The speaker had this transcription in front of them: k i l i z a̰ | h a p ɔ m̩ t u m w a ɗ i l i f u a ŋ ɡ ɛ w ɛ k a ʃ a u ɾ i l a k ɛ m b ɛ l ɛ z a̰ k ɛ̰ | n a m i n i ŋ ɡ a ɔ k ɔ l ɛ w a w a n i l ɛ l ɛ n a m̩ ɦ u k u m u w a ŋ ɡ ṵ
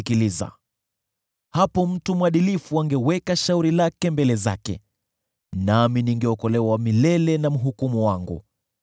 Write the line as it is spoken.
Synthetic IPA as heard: k i l i z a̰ | h a p ɔ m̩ t u m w a ɗ i l i f u a ŋ ɡ ɛ w ɛ k a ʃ a u ɾ i l a k ɛ m b ɛ l ɛ z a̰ k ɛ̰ | n a m i n i ŋ ɡ ɛ ɔ k ɔ l ɛ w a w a m i l ɛ l ɛ n a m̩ ɦ u k u m u w a ŋ ɡ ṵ